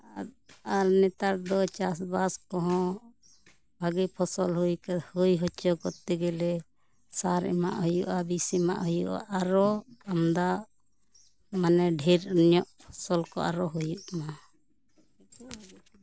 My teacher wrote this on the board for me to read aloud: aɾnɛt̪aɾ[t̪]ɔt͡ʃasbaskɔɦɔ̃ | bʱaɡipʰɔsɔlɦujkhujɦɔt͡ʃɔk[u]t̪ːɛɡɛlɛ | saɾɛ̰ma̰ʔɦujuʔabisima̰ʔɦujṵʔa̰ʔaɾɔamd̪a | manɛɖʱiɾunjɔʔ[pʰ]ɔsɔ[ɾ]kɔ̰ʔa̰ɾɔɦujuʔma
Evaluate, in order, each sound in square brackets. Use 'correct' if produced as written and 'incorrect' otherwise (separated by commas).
incorrect, incorrect, correct, incorrect